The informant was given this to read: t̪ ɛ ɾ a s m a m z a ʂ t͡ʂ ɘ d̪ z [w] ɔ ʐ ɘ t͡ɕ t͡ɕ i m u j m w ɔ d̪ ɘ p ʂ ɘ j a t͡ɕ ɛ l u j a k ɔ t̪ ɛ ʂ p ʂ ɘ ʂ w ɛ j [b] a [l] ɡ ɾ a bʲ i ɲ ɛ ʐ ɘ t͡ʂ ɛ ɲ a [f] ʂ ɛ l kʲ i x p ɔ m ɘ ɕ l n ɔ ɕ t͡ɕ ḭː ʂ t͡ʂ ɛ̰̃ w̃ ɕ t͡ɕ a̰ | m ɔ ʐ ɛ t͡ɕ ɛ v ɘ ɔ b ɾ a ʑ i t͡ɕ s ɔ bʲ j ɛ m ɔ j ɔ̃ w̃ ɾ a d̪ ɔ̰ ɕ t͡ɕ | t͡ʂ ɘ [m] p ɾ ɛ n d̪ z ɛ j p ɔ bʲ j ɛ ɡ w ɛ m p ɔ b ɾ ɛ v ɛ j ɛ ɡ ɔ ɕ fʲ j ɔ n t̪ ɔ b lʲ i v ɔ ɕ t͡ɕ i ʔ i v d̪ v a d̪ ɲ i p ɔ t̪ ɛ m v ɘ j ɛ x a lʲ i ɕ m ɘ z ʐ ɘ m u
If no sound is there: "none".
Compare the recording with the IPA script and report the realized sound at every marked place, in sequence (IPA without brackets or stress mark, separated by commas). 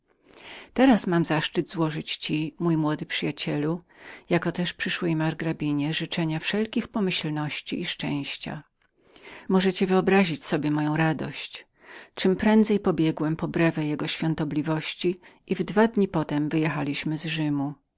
w, m, ɾ, f, m